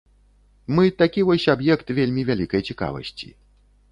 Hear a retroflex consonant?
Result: no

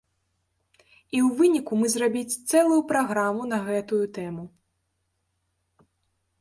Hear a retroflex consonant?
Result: no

